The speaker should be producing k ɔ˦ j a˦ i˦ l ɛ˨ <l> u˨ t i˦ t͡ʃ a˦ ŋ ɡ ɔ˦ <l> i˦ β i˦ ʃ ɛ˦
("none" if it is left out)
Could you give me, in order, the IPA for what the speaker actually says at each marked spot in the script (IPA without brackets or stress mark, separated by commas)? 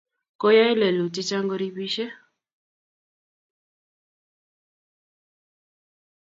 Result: l, ɾ